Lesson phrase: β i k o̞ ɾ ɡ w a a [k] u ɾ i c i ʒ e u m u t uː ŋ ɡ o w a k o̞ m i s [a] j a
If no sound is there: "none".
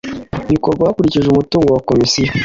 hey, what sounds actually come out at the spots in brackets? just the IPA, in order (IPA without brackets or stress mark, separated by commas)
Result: k, i